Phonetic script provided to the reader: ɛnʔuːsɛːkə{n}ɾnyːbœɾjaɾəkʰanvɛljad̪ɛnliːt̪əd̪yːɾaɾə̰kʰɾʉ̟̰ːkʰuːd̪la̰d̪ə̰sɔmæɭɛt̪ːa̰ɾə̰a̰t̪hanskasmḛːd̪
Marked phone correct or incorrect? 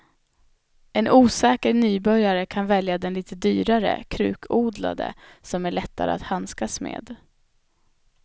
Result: incorrect